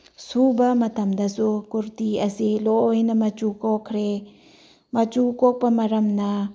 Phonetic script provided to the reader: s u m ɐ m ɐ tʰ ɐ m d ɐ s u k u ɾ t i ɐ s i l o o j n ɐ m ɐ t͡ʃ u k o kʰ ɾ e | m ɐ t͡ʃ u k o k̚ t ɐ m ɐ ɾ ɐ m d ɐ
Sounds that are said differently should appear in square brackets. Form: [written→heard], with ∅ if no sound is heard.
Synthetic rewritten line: s u [m→b] ɐ m ɐ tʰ ɐ m d ɐ s u k u ɾ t i ɐ s i l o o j n ɐ m ɐ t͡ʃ u k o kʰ ɾ e | m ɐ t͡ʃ u k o k̚ [t→p] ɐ m ɐ ɾ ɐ m [d→n] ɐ